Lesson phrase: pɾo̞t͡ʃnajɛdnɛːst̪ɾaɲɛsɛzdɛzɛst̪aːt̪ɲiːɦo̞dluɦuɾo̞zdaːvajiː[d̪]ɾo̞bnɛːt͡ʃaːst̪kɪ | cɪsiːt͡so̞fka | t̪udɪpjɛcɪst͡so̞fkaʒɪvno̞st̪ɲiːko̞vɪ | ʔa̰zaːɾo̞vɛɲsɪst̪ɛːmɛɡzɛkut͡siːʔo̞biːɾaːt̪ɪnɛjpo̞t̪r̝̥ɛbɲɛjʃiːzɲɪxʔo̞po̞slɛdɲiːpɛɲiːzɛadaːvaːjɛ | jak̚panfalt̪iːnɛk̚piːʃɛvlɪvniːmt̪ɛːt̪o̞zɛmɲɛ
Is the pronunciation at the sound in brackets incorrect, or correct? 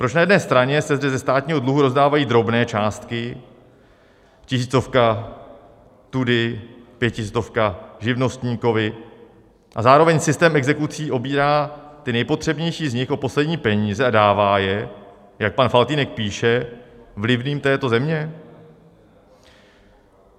correct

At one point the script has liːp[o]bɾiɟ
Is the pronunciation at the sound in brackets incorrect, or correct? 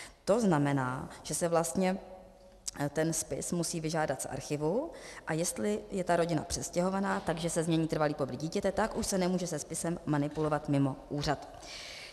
correct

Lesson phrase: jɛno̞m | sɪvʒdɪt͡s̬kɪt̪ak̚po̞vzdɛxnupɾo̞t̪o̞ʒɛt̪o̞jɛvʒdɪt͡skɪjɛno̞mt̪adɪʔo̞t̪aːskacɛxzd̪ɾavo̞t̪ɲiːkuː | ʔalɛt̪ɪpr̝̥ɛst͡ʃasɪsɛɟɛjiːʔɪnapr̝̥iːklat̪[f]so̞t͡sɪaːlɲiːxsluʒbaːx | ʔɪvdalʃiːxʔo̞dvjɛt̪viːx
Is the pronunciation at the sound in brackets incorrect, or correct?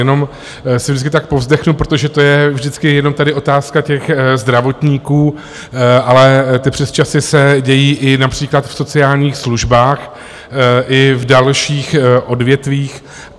correct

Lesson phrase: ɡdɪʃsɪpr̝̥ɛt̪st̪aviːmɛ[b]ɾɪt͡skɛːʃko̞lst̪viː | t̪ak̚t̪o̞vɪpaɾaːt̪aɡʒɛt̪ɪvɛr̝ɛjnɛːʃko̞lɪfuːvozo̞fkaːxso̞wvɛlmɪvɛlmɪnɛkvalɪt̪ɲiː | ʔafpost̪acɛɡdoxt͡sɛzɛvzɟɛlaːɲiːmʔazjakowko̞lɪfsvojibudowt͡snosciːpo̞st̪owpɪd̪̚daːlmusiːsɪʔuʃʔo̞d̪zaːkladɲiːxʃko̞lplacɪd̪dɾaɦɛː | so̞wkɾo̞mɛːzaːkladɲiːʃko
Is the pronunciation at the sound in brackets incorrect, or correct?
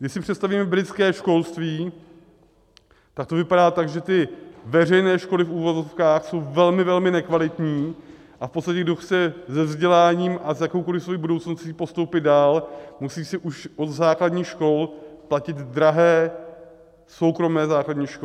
correct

